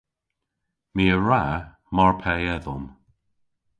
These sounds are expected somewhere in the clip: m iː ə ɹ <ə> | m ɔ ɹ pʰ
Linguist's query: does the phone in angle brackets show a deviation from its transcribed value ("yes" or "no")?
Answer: yes